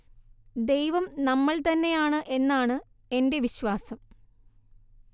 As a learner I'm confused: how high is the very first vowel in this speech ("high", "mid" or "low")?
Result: mid